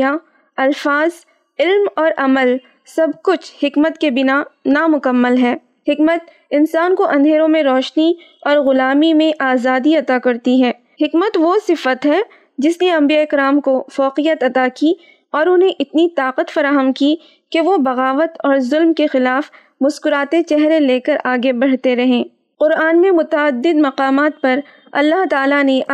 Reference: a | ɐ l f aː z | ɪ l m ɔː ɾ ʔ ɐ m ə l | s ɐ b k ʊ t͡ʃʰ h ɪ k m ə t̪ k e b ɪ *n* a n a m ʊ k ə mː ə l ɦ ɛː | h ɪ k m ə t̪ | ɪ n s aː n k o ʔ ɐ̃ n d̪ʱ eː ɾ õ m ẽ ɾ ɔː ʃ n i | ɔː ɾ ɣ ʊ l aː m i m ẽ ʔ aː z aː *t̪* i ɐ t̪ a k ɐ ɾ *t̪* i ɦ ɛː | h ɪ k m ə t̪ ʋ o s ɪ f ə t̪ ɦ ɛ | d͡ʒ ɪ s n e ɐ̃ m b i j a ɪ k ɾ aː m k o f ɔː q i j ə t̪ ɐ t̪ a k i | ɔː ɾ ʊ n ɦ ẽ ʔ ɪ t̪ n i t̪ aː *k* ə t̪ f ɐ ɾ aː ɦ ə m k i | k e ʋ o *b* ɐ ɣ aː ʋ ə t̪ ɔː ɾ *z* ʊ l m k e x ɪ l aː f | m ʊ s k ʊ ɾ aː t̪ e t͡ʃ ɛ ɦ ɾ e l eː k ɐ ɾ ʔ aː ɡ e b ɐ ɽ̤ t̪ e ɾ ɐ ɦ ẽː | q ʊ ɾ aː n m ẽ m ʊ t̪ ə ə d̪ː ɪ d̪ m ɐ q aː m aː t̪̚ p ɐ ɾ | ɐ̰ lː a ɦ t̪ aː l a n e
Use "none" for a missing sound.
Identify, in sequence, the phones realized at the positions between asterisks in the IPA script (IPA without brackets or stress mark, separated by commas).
n, d̪, t̪, q, b, z